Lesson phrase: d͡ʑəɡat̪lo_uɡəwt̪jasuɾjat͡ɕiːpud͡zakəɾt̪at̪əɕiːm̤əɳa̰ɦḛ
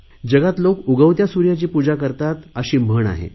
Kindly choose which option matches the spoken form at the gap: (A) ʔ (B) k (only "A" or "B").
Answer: B